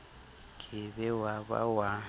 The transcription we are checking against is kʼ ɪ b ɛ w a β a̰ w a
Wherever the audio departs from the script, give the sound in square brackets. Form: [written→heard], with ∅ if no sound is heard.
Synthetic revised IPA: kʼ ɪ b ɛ w a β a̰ w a